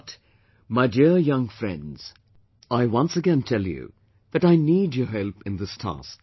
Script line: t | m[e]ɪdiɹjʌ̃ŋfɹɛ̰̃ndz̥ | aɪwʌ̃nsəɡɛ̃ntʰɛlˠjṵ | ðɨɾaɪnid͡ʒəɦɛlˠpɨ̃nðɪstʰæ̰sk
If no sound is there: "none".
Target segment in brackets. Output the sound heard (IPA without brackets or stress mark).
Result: a